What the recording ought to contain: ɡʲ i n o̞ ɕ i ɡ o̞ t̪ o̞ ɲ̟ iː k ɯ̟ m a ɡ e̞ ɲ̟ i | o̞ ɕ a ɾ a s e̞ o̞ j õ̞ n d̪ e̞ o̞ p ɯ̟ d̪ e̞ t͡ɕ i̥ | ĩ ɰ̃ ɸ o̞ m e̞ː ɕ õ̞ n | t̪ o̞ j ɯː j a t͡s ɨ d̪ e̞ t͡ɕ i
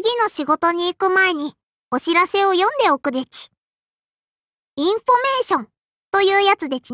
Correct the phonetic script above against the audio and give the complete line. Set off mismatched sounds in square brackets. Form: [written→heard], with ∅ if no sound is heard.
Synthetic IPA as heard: ɡʲ i n o̞ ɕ i ɡ o̞ t̪ o̞ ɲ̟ iː k ɯ̟ m a [ɡ→∅] e̞ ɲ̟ i | o̞ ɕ [a→i] ɾ a s e̞ o̞ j õ̞ n d̪ e̞ o̞ [p→k] ɯ̟ d̪ e̞ t͡ɕ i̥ | ĩ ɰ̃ ɸ o̞ m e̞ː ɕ õ̞ n | t̪ o̞ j ɯː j a t͡s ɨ d̪ e̞ t͡ɕ i